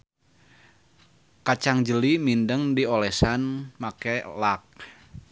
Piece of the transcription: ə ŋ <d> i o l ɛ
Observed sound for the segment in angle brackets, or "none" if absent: d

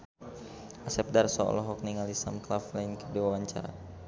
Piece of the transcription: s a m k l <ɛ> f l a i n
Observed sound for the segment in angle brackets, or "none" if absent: a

